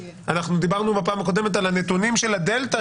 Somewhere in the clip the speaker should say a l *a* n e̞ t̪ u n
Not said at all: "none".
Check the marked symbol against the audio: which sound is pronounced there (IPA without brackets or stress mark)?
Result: a